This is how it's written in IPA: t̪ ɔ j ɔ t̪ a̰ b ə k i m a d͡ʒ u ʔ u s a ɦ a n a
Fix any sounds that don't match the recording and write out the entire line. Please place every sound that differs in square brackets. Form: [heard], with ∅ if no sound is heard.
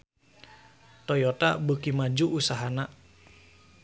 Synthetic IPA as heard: t̪ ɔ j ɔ t̪ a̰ b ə k i m a d͡ʒ u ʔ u s a ɦ a n a

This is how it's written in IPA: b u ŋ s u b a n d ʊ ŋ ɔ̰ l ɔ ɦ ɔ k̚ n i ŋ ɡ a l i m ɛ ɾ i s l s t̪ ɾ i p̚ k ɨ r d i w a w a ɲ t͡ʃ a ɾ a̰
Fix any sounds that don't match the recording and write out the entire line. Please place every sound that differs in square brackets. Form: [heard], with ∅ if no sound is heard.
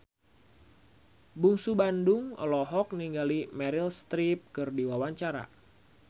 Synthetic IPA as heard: b u ŋ s u b a n d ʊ ŋ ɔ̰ l ɔ ɦ ɔ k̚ n i ŋ ɡ a l i m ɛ ɾ i [∅] l s t̪ ɾ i p̚ k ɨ r d i w a w a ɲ t͡ʃ a ɾ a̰

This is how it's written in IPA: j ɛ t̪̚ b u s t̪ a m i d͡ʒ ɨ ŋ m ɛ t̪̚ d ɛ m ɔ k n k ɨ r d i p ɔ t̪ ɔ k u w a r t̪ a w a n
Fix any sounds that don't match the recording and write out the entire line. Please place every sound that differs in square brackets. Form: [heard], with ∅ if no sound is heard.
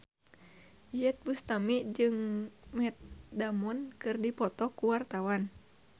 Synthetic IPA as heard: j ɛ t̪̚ b u s t̪ a m i d͡ʒ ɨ ŋ m ɛ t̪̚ d [a] m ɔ [∅] n k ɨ r d i p ɔ t̪ ɔ k u w a r t̪ a w a n

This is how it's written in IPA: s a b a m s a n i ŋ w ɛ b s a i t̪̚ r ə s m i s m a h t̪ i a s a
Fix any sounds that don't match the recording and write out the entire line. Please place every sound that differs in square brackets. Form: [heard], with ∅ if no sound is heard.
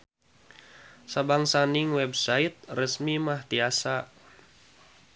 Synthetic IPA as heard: s a b a [ŋ] s a n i ŋ w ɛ b s a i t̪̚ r ə s m i [∅] m a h t̪ i a s a

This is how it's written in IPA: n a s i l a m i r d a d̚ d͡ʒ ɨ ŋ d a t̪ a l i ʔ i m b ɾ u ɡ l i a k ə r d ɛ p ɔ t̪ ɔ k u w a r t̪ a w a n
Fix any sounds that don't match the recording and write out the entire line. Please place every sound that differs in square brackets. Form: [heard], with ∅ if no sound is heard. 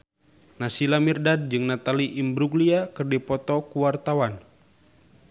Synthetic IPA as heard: n a s i l a m i r d a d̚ d͡ʒ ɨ ŋ [n] a t̪ a l i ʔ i m b ɾ u ɡ l i a k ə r d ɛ p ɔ t̪ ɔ k u w a r t̪ a w a n

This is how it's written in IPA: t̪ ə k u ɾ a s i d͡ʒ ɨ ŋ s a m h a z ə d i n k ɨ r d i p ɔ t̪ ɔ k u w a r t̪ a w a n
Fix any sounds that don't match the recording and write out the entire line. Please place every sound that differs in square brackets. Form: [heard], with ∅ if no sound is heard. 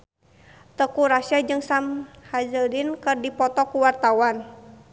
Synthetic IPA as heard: t̪ ə k u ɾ a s [a] d͡ʒ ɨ ŋ s a m h a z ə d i n k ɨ r d i p ɔ t̪ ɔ k u w a r t̪ a w a n

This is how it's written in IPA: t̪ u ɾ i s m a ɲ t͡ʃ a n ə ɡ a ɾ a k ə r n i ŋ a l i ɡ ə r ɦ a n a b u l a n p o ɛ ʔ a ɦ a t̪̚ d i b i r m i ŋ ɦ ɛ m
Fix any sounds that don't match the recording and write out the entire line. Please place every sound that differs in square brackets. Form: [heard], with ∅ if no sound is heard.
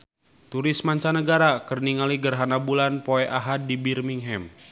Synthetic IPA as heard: t̪ u ɾ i s m a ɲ t͡ʃ a n ə ɡ a ɾ a k ə r n i ŋ a l i ɡ ə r ɦ a n a b u l a n p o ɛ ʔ a ɦ a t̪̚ d i b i r m i ŋ ɦ ɛ m

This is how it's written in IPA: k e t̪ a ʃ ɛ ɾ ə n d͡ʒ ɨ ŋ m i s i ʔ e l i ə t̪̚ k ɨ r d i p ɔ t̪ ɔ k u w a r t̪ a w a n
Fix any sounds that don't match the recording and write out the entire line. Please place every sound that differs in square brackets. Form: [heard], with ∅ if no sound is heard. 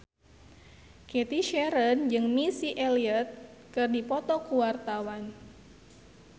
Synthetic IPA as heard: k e t̪ [i] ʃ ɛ ɾ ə n d͡ʒ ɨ ŋ m i s i ʔ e l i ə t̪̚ k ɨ r d i p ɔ t̪ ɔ k u w a r t̪ a w a n

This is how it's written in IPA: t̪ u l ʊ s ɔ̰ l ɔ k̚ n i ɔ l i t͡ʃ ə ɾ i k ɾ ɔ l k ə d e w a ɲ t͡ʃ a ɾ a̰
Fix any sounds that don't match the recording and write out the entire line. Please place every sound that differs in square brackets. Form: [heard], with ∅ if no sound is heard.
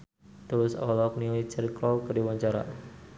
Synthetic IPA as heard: t̪ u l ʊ s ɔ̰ l ɔ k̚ n i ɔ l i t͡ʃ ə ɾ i k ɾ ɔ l k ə d [i] w a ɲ t͡ʃ a ɾ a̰

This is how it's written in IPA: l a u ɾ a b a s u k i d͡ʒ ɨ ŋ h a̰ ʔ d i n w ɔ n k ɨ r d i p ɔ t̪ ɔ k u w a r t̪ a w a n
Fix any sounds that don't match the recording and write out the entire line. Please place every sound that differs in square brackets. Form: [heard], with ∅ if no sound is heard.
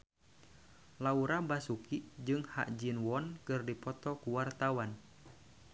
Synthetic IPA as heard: l a u ɾ a b a s u k i d͡ʒ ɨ ŋ h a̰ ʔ [d͡ʒ] i n w ɔ n k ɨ r d i p ɔ t̪ ɔ k u w a r t̪ a w a n

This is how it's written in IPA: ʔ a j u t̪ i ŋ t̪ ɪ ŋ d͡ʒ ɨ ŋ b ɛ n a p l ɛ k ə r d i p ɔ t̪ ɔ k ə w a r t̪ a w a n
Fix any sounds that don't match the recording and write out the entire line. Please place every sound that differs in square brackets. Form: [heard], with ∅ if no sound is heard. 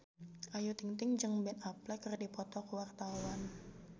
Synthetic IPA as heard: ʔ a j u t̪ i ŋ t̪ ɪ ŋ d͡ʒ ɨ ŋ b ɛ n a p l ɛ k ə r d i p ɔ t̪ ɔ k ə w a r t̪ a w a n

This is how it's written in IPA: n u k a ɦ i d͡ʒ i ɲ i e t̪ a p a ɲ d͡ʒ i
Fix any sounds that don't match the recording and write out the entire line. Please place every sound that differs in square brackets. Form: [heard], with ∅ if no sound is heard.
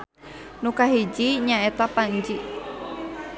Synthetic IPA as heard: n u k a ɦ i d͡ʒ i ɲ [a] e t̪ a p a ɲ d͡ʒ i

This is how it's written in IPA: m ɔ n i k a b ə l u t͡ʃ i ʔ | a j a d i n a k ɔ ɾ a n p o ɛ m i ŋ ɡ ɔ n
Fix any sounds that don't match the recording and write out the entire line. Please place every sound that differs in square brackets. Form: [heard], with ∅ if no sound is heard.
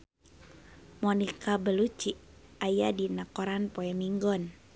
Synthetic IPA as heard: m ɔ n i k a b ə l u t͡ʃ i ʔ | a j a d i n a k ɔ ɾ a n p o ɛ m i ŋ ɡ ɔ n

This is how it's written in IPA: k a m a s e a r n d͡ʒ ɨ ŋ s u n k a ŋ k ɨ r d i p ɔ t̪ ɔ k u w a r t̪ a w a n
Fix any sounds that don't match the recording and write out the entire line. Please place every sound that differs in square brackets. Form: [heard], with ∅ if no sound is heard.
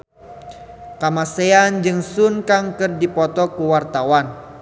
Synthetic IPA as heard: k a m a s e a [∅] n d͡ʒ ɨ ŋ s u n k a ŋ k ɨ r d i p ɔ t̪ ɔ k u w a r t̪ a w a n

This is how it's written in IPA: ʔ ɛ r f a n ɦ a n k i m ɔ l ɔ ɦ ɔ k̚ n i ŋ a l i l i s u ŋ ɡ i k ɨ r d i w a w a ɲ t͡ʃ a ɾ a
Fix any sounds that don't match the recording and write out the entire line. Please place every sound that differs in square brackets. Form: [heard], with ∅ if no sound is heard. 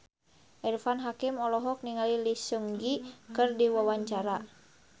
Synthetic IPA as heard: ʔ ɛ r f a n ɦ a [∅] k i m ɔ l ɔ ɦ ɔ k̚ n i ŋ a l i l i s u ŋ ɡ i k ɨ r d i w a w a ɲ t͡ʃ a ɾ a

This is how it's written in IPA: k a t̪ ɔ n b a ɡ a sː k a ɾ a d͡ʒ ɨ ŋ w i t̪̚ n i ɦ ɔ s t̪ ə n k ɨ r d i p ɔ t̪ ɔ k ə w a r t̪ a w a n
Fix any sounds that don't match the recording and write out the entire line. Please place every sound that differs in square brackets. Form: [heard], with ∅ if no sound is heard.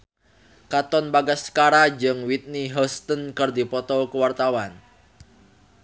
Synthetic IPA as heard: k a t̪ ɔ n b a ɡ a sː k a ɾ a d͡ʒ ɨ ŋ w i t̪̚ n i ɦ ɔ s t̪ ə n k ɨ r d i p ɔ t̪ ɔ k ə w a r t̪ a w a n

